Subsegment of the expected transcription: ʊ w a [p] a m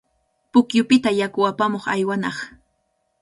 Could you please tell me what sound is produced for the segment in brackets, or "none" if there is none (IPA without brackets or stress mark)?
p